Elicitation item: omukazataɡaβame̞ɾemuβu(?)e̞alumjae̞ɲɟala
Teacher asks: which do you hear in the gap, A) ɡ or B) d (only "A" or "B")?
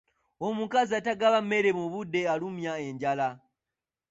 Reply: B